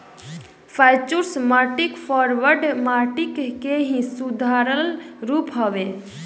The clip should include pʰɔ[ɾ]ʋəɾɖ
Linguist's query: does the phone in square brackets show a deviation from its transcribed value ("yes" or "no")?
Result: no